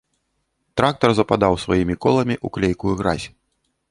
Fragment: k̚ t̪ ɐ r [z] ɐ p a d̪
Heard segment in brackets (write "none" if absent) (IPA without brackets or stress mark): z